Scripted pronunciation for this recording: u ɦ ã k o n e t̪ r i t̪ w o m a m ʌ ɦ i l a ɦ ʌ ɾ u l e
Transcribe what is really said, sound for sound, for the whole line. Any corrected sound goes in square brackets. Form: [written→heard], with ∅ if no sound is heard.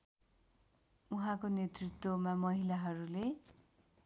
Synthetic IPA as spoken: u ɦ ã k o n e t̪ r i t̪ w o m a m ʌ ɦ i l a ɦ ʌ ɾ u l e